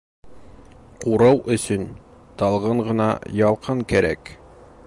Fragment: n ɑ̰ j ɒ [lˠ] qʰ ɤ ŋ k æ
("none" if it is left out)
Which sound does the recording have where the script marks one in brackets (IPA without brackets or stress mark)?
lˠ